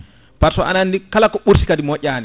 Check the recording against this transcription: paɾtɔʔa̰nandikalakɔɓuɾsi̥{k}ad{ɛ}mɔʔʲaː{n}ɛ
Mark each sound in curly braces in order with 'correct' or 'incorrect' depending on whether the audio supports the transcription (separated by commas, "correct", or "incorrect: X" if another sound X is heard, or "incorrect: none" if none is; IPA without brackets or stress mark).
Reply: correct, incorrect: i, correct